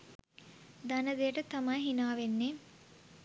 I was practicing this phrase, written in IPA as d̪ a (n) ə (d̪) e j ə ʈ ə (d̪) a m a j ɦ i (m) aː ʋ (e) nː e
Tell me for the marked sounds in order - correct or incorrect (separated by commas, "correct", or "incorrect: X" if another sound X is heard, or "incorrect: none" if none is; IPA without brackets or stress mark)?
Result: correct, correct, incorrect: t̪, incorrect: n, correct